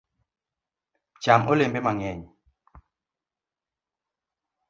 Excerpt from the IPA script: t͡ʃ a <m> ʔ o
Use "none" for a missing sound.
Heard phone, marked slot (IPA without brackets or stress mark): m